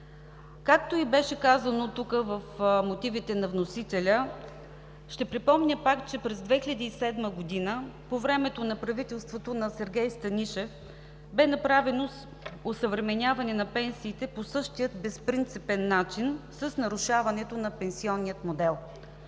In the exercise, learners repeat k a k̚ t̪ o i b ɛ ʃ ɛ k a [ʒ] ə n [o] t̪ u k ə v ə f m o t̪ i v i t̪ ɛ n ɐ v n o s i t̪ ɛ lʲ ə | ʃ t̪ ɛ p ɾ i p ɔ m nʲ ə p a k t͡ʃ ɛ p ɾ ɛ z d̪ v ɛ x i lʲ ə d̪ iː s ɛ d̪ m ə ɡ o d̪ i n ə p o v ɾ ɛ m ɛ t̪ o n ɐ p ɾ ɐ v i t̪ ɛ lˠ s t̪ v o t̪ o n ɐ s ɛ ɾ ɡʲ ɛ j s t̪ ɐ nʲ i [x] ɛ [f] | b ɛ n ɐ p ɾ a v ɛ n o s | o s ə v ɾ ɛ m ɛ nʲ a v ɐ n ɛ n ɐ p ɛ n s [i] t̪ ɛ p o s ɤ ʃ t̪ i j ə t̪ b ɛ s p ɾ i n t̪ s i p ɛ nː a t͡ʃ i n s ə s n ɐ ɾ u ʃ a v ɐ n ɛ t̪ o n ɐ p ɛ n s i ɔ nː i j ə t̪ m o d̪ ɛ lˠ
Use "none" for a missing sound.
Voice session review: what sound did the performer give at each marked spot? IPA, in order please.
z, o, ʃ, f, iː

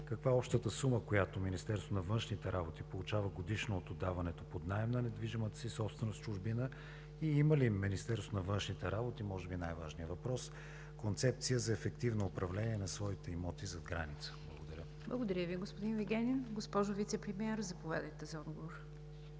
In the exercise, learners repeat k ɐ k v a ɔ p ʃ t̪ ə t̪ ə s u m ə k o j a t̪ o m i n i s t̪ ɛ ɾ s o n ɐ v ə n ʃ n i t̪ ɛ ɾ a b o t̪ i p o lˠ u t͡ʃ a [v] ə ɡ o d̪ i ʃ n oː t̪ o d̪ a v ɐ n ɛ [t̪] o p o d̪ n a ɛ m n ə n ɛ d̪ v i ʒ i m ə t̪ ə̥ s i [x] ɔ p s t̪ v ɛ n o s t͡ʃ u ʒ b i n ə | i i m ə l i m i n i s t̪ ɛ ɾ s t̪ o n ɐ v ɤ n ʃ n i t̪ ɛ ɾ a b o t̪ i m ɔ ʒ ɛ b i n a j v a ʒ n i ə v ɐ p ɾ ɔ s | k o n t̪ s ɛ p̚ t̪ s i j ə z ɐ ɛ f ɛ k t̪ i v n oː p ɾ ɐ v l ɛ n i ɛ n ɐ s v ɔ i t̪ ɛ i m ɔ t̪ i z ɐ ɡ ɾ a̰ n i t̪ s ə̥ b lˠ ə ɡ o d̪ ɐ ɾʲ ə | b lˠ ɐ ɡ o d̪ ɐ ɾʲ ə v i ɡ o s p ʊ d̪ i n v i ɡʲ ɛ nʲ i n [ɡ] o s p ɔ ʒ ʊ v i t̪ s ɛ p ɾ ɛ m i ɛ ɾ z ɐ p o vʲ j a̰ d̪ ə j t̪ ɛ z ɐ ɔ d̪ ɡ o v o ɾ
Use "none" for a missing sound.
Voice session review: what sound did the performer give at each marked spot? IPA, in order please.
v, t̪, s, ɡ

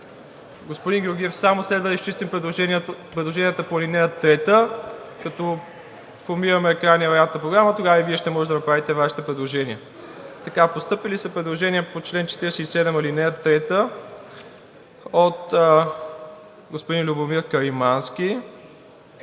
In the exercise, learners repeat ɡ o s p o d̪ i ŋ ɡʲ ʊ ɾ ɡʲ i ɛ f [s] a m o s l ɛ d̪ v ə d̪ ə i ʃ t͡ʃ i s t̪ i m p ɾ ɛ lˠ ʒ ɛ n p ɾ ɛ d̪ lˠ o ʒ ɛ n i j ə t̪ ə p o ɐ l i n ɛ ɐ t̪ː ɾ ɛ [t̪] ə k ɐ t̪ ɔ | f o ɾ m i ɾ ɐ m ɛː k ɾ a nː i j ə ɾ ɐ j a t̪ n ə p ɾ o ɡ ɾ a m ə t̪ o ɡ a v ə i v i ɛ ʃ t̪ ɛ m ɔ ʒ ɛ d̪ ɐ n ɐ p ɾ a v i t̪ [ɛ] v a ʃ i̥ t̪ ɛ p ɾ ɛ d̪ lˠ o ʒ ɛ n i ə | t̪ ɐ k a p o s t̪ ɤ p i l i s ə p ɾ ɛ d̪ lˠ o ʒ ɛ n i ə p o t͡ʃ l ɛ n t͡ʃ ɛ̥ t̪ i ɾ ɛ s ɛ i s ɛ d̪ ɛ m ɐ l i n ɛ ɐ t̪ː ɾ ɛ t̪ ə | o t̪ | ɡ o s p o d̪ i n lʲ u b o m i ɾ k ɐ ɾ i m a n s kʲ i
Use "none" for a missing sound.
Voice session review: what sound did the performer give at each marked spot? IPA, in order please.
s, t̪, ɛ

